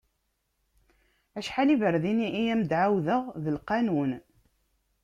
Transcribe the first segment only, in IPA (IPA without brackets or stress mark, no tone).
æ